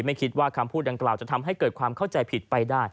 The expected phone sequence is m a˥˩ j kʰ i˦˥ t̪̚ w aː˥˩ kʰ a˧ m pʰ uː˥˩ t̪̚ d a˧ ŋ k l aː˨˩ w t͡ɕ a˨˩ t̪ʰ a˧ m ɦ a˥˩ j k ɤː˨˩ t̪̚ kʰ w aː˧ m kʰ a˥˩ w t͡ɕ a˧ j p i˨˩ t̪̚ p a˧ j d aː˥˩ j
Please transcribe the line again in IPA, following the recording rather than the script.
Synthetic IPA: m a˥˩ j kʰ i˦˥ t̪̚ w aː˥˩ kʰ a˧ m pʰ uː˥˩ t̪̚ d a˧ ŋ k l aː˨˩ w t͡ɕ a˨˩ t̪ʰ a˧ m ɦ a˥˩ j k ɤː˨˩ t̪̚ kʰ w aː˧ m kʰ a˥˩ w t͡ɕ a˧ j pʰ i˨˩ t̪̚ p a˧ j d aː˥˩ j